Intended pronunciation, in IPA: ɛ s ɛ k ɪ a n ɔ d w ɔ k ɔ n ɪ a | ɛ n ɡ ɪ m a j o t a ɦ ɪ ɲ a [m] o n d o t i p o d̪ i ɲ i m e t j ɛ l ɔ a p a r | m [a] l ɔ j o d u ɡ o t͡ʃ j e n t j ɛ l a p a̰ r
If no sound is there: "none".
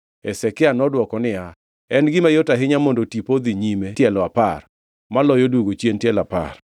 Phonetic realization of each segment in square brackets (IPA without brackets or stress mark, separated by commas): m, a